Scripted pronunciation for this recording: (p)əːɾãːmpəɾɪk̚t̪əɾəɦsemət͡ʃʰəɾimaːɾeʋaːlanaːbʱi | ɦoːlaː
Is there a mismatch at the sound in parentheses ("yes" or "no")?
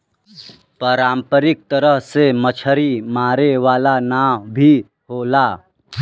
no